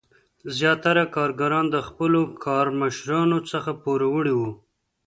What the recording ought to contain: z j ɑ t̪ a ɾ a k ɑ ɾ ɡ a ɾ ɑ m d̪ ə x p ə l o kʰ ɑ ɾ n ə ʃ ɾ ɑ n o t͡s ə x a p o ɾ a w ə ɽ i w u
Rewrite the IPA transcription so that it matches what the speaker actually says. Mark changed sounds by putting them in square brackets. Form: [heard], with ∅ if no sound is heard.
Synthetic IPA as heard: z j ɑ t̪ a ɾ a k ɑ ɾ ɡ a ɾ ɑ [n] d̪ ə x p ə l o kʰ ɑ ɾ [m] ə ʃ ɾ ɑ n o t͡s ə x a p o ɾ a w ə ɽ i w u